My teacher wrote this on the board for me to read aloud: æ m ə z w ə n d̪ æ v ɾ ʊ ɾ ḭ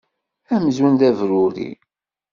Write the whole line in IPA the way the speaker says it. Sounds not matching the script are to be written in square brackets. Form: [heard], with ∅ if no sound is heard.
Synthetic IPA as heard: æ m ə z w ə n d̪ æ v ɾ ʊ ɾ ḭ